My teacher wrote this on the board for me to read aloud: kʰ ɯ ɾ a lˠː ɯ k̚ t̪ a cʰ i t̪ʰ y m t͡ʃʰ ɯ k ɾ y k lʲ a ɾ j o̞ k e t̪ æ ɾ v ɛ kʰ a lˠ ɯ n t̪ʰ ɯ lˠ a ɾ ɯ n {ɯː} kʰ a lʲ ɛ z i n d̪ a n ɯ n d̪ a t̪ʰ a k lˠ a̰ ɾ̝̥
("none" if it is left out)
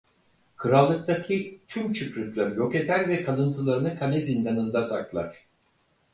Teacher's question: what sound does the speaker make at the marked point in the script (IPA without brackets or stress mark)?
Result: ɯ